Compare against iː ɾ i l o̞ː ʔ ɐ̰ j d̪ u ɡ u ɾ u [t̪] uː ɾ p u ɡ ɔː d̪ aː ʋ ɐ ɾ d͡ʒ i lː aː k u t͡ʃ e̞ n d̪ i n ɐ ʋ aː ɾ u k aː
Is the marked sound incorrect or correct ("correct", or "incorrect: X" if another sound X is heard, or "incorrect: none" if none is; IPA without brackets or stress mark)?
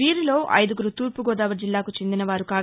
correct